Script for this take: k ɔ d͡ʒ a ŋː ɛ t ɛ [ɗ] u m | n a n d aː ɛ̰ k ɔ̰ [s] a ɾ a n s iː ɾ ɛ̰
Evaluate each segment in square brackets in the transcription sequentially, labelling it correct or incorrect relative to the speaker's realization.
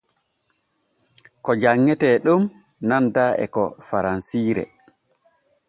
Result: correct, incorrect: f

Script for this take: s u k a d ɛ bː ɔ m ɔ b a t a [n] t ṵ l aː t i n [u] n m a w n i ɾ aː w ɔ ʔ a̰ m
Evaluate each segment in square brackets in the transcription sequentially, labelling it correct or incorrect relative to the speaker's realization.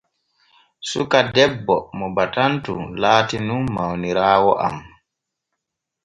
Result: correct, correct

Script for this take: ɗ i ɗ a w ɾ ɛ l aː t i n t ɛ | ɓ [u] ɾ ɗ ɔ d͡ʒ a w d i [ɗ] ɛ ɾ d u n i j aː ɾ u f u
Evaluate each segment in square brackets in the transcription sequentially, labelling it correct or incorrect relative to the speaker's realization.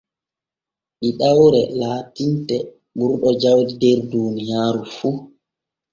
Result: correct, incorrect: d

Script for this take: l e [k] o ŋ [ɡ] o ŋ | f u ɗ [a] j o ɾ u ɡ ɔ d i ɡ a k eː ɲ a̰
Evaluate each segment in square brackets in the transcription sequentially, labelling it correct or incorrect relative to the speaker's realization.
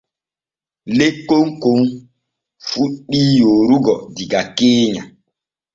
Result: correct, incorrect: k, incorrect: i

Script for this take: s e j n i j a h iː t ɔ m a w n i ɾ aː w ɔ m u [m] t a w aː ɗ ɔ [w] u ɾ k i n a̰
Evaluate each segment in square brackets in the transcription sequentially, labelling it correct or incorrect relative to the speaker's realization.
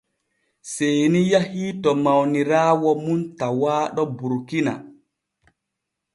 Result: incorrect: n, incorrect: b

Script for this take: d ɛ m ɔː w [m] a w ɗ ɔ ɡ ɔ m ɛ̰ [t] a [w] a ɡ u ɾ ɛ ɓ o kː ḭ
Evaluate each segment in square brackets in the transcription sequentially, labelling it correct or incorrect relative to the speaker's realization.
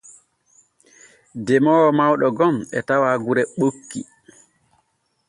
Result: correct, correct, correct

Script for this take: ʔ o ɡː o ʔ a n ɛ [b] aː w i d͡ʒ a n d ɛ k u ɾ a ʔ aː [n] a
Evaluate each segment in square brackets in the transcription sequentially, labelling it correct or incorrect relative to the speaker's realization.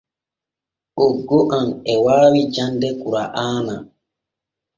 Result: incorrect: w, correct

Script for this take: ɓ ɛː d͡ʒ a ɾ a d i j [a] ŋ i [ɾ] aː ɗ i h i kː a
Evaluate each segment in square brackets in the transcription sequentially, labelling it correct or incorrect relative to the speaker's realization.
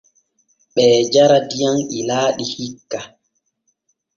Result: correct, incorrect: l

